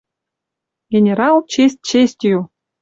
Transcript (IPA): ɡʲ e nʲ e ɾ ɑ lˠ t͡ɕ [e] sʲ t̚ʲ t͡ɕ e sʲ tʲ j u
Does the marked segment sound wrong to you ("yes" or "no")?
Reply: no